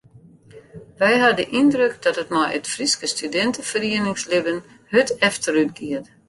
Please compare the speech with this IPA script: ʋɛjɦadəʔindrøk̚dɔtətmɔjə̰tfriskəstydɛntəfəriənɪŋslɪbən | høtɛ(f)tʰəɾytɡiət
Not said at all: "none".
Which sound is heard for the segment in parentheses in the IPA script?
f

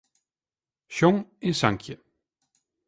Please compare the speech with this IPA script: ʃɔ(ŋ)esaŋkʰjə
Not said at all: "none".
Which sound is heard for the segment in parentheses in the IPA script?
ŋ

